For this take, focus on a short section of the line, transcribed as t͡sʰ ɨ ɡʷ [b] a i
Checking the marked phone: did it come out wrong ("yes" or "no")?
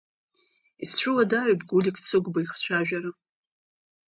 no